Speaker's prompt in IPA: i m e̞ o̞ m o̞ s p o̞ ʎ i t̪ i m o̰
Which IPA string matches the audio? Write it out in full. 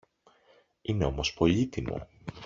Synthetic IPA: i n e̞ o̞ m o̞ s p o̞ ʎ i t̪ i m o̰

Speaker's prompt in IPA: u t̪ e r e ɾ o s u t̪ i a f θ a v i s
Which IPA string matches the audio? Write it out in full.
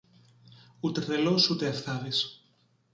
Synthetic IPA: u t̪ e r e l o s u t̪ e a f θ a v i s

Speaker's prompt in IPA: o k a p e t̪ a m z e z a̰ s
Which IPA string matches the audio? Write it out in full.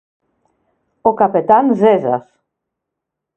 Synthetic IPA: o k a p e t̪ a n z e z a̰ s

